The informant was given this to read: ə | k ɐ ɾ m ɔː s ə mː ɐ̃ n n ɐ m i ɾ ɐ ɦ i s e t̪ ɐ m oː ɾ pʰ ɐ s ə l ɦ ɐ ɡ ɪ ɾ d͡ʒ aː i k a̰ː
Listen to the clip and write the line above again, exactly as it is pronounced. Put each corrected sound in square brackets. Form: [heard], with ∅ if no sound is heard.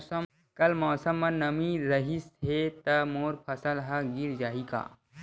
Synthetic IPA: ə | k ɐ [l] m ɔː s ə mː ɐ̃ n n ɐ m i ɾ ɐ ɦ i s e t̪ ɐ m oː ɾ pʰ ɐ s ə l ɦ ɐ ɡ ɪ ɾ d͡ʒ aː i k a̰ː